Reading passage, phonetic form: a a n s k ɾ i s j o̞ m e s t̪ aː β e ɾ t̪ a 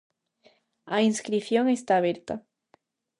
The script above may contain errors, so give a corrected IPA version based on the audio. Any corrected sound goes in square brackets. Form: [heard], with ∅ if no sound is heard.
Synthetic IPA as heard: a [i] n s k ɾ i [θ] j o̞ [ŋ] e s t̪ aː β e ɾ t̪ a

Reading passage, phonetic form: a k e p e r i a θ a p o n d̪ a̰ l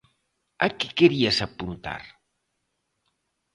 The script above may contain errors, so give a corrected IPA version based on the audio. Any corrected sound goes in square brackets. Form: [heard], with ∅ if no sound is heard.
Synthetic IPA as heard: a k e [k] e [ɾ] i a [s] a p [u] n [t̪] a̰ [ɾ]

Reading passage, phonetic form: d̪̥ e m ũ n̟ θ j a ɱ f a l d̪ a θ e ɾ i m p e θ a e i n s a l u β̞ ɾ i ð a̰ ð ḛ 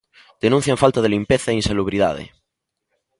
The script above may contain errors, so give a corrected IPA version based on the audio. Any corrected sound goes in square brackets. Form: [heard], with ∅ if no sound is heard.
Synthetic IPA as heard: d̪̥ e [n] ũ n̟ θ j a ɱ f a l [t̪] a [ð] e [l] i m p e θ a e i n s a l u β̞ ɾ i ð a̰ ð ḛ

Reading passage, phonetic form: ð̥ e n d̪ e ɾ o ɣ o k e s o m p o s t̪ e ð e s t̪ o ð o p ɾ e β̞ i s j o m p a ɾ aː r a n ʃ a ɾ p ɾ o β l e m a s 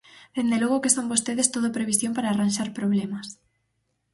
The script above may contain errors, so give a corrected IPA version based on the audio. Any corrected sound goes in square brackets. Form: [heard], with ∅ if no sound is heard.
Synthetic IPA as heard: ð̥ e n d̪ e [l] o ɣ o k e s o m [b] o s t̪ e ð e s t̪ o ð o p ɾ e β̞ i s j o m p a ɾ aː r a n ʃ a ɾ p ɾ o β l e m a s

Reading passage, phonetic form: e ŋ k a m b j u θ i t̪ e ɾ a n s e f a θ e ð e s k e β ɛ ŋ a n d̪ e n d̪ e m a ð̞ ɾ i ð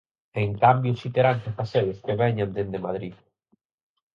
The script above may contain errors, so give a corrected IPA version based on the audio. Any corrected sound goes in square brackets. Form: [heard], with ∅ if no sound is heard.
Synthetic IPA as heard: e ŋ k a m b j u [s] i t̪ e ɾ a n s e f a [s] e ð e s k e β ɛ [ɲ] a n d̪ e n d̪ e m a ð̞ ɾ i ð

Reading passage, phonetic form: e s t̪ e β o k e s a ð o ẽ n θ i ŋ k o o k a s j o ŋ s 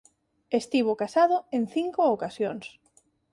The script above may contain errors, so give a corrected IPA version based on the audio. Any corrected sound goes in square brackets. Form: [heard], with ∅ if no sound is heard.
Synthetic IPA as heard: e s t̪ [i] β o k [a] s a ð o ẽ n θ i ŋ k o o k a s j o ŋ s

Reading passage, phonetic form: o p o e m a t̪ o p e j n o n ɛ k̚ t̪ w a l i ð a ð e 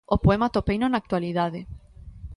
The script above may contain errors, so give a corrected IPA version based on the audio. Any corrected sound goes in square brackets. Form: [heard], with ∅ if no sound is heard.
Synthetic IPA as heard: o p o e m a t̪ o p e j n o n [a] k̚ t̪ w a l i ð a ð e

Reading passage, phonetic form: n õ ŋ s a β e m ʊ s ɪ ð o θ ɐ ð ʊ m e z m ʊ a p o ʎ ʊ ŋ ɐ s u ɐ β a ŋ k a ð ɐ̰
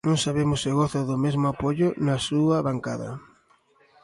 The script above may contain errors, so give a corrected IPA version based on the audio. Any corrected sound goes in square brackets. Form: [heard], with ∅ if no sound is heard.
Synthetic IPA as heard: n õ ŋ s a β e m ʊ s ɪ [ɣ] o θ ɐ ð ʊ m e z m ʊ a p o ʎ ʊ [n] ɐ s u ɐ β a ŋ k a ð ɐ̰

